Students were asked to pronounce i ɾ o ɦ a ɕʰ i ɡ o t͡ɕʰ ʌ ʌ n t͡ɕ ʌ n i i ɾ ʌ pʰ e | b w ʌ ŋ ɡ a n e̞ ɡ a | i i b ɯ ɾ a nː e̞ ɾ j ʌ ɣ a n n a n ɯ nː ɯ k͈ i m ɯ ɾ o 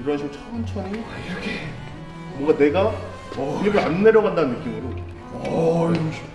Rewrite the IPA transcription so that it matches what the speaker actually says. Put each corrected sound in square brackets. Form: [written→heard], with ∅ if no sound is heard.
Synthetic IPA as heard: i ɾ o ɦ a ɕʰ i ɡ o t͡ɕʰ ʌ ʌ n [t͡ɕ→t͡ɕʰ] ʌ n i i ɾ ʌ [pʰ→kʰ] e | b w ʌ ŋ ɡ a n e̞ ɡ a | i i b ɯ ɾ a nː e̞ ɾ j ʌ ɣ a n [n→d] a n ɯ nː ɯ k͈ i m ɯ ɾ o